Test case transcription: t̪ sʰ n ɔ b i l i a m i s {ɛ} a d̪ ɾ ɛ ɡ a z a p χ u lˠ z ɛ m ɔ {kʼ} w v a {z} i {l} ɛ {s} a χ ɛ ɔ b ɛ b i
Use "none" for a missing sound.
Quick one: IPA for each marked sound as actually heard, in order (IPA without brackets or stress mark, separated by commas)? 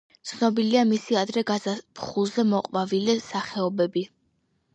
i, qʼ, v, l, s